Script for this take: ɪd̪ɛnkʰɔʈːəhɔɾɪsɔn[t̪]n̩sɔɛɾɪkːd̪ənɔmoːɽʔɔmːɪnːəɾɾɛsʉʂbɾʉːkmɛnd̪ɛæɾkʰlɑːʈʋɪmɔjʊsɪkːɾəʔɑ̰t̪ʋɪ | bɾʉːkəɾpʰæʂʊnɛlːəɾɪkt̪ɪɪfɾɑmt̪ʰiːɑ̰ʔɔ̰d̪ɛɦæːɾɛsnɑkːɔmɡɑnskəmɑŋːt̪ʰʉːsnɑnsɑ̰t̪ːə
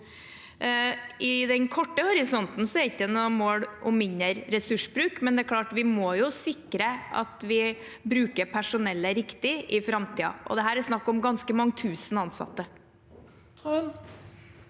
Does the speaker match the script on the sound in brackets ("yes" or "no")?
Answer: yes